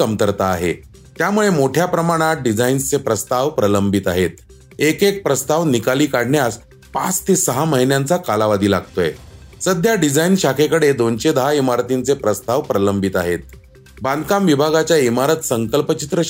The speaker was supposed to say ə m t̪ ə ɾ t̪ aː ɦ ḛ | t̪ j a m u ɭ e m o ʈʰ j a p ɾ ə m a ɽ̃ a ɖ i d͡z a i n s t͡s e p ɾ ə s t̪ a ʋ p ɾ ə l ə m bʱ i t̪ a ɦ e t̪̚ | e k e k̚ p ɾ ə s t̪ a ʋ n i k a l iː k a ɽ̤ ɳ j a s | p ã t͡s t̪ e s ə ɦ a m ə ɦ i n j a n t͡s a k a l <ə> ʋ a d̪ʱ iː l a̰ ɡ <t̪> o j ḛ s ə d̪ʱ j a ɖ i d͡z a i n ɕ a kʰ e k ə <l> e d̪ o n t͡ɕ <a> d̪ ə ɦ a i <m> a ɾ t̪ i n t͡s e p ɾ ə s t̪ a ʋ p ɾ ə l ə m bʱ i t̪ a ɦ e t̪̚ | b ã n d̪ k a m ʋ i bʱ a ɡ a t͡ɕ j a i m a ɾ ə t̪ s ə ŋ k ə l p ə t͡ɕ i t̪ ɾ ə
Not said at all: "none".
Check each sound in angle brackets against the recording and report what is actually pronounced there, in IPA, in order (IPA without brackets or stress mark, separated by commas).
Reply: a, t̪, ɽ, e, m